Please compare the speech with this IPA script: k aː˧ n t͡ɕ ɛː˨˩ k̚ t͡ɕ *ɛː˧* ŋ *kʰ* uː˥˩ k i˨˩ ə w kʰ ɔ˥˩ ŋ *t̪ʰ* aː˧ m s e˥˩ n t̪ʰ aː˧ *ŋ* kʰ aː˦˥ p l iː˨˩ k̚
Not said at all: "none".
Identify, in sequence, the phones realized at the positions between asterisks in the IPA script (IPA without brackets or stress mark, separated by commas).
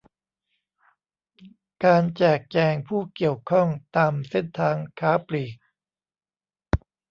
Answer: ɛː˧, pʰ, t̪, ŋ